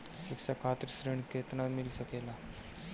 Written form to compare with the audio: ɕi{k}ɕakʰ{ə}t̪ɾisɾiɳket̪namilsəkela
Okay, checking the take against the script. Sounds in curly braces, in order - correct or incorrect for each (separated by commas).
correct, incorrect